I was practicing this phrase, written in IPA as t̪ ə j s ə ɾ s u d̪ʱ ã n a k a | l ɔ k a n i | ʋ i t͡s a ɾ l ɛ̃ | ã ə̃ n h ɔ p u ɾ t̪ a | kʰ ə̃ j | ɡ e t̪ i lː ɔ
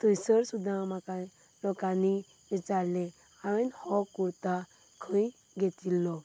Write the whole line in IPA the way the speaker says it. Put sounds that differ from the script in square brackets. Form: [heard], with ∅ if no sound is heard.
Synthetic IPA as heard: t̪ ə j s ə ɾ s u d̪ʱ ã [m] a k a | l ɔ k a n i | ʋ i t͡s a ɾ l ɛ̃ | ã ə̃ n h ɔ [k] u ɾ t̪ a | kʰ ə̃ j | ɡ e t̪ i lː ɔ